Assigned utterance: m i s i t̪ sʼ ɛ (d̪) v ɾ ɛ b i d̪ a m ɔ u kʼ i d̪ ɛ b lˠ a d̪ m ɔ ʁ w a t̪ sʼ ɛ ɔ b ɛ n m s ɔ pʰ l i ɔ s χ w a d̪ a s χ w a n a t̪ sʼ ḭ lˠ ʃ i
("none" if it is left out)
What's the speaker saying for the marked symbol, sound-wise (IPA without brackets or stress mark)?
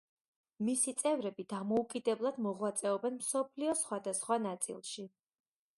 none